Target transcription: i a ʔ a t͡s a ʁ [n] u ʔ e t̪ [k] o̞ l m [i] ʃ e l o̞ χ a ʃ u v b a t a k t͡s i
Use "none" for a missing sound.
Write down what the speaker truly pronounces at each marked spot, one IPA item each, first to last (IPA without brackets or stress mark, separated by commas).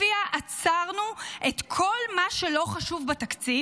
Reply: n, kʰ, a